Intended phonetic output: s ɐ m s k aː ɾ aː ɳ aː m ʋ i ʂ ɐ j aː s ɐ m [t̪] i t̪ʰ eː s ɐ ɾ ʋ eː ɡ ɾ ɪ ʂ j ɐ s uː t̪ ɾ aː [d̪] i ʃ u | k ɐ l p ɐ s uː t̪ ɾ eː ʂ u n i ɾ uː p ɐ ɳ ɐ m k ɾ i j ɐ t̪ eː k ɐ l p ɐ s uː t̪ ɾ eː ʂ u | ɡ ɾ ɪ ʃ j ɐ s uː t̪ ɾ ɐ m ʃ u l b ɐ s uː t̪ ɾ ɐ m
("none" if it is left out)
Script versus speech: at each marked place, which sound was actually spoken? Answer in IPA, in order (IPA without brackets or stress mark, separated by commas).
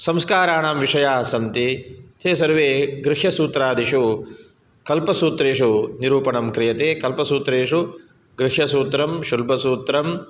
t̪, d̪